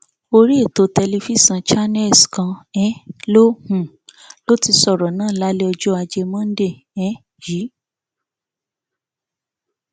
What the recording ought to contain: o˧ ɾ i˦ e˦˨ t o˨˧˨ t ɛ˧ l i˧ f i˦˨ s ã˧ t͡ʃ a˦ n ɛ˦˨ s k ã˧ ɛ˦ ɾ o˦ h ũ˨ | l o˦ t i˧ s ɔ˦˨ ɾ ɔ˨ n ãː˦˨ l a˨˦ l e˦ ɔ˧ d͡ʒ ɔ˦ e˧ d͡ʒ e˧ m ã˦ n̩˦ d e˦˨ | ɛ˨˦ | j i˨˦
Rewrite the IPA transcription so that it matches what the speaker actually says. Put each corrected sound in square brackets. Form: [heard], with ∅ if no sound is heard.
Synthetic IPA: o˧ ɾ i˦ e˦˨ t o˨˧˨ t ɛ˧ l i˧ f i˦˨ s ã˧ t͡ʃ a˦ n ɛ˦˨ s k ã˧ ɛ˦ [l] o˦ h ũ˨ | l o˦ t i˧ s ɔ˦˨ ɾ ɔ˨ n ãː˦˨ l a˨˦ l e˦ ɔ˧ d͡ʒ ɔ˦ [a˧] d͡ʒ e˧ m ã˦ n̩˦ d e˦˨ | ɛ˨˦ | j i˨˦